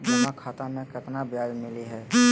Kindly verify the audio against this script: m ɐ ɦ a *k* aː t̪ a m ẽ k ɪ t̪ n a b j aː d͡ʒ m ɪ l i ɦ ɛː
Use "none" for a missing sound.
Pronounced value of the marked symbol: kʰ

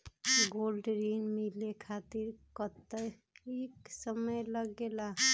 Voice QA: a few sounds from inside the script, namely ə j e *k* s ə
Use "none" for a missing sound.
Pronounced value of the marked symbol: k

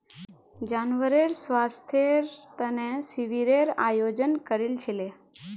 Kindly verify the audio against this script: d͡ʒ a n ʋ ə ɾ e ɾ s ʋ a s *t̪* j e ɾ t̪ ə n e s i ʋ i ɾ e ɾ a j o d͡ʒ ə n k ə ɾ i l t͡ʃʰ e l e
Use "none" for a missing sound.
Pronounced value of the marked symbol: t̪ʰ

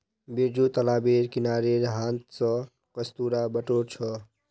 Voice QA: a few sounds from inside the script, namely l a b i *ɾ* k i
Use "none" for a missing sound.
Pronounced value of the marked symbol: ɾ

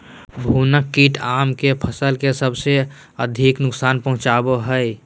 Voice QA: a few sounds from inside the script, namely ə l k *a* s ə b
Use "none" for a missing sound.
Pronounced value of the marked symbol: e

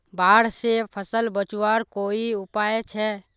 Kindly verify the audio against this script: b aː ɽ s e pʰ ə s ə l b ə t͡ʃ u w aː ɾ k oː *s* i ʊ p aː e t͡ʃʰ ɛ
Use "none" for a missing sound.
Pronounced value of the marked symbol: none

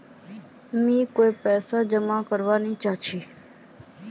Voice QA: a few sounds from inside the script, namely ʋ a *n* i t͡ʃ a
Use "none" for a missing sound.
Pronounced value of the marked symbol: n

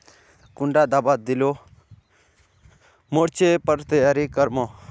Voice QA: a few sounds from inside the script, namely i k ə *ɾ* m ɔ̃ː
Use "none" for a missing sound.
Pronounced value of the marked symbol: ɾ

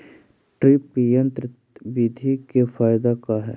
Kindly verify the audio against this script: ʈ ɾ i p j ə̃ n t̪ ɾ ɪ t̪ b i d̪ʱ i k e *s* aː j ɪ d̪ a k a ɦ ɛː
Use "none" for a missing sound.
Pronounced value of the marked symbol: f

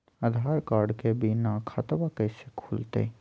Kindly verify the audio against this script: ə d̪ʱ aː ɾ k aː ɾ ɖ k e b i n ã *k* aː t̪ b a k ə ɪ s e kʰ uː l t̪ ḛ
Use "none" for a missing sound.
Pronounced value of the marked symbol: kʰ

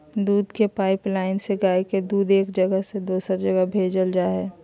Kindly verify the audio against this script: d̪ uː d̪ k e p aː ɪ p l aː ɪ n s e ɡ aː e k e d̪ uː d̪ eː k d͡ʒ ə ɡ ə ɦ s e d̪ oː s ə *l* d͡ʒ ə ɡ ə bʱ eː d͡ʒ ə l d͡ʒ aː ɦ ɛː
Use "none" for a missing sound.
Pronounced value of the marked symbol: ɾ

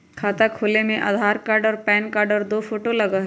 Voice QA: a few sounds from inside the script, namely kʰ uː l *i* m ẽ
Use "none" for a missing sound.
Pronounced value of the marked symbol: e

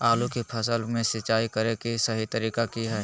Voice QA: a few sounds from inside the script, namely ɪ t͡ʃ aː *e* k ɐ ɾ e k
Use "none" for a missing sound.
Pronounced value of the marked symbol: i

